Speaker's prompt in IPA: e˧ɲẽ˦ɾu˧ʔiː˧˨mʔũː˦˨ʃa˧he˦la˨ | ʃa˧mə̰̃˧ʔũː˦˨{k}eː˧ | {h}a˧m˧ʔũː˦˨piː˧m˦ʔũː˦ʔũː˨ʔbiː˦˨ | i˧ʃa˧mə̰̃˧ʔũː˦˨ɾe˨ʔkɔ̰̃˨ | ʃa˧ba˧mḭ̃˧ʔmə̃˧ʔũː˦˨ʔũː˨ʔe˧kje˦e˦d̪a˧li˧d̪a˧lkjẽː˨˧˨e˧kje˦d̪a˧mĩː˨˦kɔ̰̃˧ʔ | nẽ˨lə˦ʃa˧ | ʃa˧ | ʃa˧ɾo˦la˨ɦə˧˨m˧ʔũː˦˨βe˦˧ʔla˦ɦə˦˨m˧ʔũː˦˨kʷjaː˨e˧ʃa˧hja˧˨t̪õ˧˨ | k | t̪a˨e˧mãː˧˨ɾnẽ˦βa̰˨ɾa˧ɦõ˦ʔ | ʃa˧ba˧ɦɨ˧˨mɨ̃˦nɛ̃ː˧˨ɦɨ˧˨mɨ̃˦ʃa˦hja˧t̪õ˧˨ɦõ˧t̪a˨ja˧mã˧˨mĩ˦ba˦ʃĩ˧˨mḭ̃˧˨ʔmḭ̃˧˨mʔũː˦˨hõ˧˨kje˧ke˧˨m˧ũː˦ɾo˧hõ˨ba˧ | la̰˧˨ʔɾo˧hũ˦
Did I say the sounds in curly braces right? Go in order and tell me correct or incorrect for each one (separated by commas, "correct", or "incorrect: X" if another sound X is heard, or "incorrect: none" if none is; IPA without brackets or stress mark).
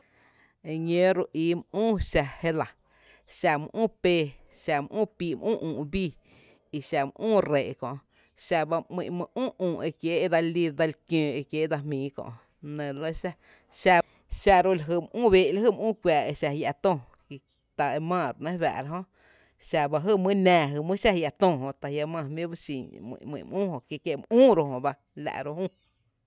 incorrect: p, incorrect: ʃ